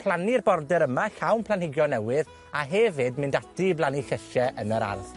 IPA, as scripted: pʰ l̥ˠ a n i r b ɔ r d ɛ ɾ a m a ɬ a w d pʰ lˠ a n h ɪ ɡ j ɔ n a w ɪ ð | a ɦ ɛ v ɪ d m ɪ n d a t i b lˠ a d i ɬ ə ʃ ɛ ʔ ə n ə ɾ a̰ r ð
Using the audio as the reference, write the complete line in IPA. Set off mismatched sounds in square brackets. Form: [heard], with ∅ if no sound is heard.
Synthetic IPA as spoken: pʰ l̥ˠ a n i r b ɔ r d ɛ ɾ [ə] m a ɬ a w [n] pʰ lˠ a n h ɪ ɡ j ɔ n [ɛ] w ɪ ð | a ɦ ɛ v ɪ d m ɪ n d a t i b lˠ a [n] i ɬ ə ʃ ɛ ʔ ə n ə ɾ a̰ r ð